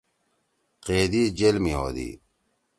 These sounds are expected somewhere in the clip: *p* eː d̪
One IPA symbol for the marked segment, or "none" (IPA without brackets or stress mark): q